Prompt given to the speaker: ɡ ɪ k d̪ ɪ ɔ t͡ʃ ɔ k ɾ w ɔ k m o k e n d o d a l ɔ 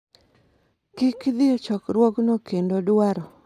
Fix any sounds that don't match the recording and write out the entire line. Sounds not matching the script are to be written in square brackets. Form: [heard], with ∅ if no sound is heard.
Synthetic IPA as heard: [k] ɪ k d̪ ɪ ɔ t͡ʃ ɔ k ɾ w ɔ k [n] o k e n d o d a [ɾ] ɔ